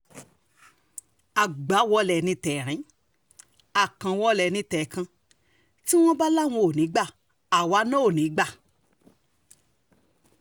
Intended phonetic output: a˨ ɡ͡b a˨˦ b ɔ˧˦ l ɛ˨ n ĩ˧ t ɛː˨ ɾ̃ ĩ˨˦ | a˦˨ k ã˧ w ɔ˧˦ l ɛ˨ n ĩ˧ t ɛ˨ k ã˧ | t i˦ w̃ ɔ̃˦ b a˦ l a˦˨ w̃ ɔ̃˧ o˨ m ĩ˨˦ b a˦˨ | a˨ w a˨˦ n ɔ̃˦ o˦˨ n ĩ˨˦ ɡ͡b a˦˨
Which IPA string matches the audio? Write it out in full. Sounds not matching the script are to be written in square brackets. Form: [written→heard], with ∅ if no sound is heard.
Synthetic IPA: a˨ ɡ͡b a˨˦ [b→w] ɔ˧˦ l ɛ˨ n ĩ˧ t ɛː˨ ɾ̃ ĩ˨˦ | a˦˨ k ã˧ w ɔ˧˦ l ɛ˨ n ĩ˧ t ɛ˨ k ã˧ | t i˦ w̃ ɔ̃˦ b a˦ l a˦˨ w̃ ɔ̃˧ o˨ [m→n] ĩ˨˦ [b→ɡ͡b] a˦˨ | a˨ w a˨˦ n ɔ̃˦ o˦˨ n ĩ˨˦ ɡ͡b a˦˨